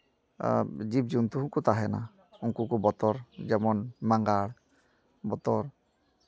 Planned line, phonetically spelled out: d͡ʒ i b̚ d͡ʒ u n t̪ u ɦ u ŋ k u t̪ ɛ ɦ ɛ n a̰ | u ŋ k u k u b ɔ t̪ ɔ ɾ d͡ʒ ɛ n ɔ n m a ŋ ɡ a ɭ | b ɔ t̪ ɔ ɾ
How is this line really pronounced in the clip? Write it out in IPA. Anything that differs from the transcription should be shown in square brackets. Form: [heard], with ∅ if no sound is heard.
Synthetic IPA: d͡ʒ i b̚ d͡ʒ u n t̪ u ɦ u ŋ k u t̪ [a] ɦ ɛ n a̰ | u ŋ k u k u b ɔ t̪ ɔ ɾ d͡ʒ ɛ [m] ɔ n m a ŋ ɡ a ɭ | b ɔ t̪ ɔ ɾ